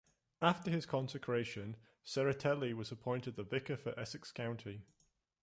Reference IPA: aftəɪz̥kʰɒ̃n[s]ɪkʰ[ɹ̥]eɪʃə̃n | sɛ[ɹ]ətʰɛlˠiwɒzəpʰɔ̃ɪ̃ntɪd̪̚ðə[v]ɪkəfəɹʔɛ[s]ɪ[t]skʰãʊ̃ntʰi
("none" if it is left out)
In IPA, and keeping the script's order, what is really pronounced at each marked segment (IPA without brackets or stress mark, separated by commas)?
s, ɹ̥, ɹ, v, s, k